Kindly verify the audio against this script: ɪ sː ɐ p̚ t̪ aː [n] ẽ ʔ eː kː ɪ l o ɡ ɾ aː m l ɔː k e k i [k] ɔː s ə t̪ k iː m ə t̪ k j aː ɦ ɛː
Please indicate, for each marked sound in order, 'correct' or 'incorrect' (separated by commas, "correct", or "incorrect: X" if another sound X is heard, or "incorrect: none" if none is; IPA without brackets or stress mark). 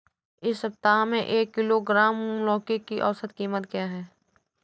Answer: incorrect: m, incorrect: ʔ